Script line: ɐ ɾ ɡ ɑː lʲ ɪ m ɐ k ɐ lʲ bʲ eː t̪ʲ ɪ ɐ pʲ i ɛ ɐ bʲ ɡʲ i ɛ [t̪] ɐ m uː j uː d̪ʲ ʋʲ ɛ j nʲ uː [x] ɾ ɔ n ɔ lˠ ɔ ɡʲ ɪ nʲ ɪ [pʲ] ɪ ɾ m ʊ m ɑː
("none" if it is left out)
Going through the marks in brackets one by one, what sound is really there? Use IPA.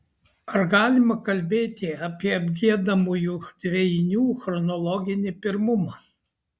d̪, x, pʲ

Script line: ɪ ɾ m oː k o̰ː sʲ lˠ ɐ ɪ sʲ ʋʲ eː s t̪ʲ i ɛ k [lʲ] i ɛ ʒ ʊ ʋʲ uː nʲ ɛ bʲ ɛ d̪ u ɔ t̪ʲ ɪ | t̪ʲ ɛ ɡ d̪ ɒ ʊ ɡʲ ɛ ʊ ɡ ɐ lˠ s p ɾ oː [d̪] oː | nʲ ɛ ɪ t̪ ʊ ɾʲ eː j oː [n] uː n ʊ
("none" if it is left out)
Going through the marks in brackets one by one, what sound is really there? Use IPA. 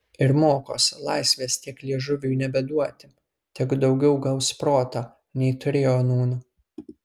lʲ, t̪, n

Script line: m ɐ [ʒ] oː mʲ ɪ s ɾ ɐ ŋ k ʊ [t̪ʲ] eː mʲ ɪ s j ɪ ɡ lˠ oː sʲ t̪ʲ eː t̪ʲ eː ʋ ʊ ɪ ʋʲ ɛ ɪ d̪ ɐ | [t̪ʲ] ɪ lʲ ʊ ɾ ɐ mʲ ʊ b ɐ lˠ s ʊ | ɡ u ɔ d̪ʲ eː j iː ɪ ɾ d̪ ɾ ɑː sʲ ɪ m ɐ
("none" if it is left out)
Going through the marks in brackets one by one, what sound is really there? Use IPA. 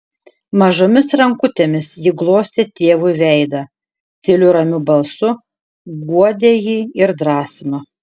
ʒ, t̪ʲ, t̪ʲ

